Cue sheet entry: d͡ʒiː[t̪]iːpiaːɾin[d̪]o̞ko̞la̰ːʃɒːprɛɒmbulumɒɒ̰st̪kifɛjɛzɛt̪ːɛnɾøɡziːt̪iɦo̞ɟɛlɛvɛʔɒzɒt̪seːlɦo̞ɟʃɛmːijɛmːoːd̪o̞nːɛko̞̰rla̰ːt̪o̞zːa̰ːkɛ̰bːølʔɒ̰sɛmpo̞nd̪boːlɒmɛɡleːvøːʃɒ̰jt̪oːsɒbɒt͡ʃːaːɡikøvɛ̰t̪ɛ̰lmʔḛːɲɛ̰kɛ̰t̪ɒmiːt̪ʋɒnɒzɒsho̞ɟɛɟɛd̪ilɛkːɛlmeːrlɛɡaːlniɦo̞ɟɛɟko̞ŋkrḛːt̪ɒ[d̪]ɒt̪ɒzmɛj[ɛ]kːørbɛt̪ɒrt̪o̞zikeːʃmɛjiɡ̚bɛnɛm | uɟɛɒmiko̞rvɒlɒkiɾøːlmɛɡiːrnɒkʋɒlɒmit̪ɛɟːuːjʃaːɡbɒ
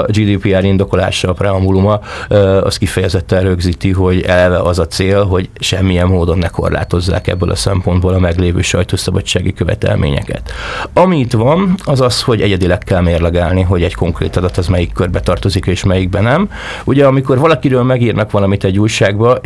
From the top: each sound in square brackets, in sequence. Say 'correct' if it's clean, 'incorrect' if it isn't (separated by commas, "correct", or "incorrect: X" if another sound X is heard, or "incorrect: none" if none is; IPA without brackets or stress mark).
incorrect: d̪, correct, correct, incorrect: i